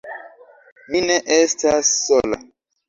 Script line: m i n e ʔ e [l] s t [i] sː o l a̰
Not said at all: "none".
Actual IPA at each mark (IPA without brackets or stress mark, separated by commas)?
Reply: none, a